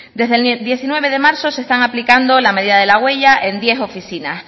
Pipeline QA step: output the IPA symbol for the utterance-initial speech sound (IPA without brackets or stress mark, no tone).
d̪